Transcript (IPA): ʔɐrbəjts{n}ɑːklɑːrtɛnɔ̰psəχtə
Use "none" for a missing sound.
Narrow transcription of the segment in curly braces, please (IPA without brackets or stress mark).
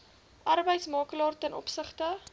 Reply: m